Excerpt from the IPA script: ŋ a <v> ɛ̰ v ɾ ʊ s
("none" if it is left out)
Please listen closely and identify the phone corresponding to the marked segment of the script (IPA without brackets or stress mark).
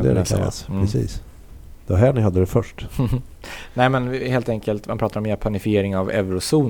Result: v